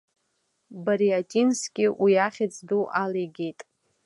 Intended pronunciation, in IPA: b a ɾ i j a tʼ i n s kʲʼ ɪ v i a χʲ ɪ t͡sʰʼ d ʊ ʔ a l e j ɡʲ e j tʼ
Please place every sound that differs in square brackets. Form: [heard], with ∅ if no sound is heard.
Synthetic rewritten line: b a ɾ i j a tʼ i n s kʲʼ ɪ [w] i a χʲ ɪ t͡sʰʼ d [u] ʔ a l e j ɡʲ e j tʼ

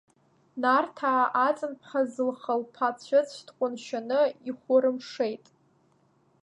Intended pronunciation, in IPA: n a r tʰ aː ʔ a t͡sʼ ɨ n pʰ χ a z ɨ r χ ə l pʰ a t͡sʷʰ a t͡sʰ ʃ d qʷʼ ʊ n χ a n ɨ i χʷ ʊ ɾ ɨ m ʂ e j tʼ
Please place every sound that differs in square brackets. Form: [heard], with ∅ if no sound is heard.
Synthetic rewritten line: n a r tʰ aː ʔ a t͡sʼ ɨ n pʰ χ a z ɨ [l] χ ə l pʰ a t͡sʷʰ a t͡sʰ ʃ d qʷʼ ʊ n [ʃ] a n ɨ i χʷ ʊ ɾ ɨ m ʂ e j tʼ

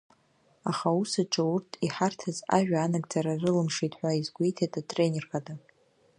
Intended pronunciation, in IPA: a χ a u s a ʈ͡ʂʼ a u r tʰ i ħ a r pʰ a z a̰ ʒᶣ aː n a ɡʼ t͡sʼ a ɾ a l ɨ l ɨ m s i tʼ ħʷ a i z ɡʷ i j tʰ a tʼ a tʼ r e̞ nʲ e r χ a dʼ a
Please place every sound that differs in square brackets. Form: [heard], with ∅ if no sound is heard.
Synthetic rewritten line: a χ a u s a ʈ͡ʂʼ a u r tʰ i ħ a r [tʰ] a z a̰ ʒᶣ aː n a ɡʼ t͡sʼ a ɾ a [r] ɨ l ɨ m [ʂ] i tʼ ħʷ a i z ɡʷ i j tʰ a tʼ a tʼ r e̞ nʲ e r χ a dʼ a

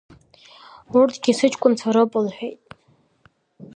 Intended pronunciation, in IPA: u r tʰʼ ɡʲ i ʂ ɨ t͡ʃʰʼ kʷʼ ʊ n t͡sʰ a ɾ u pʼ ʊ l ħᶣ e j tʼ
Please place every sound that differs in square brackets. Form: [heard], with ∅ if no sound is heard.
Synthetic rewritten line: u r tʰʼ ɡʲ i [s] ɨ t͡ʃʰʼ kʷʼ ʊ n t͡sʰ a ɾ [o] pʼ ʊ l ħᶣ e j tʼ

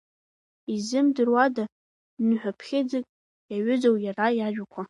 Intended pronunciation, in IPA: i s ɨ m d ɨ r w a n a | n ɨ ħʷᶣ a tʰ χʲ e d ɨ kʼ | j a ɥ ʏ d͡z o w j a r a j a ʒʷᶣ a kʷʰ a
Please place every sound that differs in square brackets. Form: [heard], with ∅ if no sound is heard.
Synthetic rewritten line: i [z] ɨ m d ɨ r w a [d] a | n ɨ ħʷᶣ a [pʰ] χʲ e [d͡z] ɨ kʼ | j a ɥ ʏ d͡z o w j a r a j a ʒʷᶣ a kʷʰ a

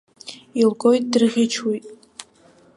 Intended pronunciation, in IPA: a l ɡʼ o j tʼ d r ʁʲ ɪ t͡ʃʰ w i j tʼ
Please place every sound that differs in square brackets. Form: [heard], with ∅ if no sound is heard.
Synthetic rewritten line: [i] l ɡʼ o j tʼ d r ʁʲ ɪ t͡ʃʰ w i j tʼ

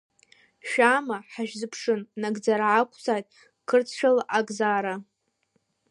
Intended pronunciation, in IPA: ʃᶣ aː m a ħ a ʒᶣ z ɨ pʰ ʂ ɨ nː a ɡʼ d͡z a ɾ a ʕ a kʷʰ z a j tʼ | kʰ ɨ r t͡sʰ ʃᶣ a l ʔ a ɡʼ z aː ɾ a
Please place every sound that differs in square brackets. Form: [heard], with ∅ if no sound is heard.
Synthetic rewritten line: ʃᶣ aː m a ħ a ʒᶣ z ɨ pʰ ʂ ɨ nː a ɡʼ d͡z a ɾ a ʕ a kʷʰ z a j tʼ | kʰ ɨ r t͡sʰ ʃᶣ a l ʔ a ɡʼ z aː ɾ a

